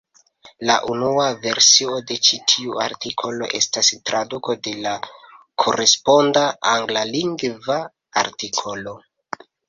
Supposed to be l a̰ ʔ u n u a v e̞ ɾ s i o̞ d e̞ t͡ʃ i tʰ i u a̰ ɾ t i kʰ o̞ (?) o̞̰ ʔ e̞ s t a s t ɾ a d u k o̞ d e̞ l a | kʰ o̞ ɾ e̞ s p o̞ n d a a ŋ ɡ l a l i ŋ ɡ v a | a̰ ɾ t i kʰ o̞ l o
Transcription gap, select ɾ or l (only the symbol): l